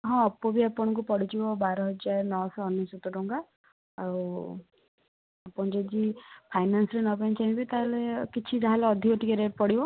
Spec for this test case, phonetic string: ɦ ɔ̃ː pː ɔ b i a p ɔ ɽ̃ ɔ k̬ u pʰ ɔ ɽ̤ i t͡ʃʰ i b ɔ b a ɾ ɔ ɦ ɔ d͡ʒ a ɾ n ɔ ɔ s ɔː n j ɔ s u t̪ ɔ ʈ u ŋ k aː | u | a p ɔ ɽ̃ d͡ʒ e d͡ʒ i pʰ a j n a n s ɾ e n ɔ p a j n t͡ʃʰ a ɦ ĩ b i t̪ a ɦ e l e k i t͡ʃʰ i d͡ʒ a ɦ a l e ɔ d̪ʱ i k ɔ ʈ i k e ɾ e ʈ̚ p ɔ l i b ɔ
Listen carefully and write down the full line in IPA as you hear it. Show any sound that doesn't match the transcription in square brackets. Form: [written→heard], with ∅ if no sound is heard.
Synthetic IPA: ɦ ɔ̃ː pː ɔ b i a p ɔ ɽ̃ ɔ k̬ u [pʰ→p] ɔ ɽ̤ i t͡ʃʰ i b ɔ b a ɾ ɔ ɦ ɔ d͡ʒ a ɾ n ɔ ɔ s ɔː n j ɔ s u t̪ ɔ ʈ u ŋ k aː | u | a p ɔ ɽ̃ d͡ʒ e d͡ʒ i pʰ a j n a n s ɾ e n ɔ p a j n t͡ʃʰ a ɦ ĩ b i t̪ a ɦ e l e k i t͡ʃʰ i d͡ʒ a ɦ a l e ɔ d̪ʱ i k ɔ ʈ i k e ɾ e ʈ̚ p ɔ [l→ɽ] i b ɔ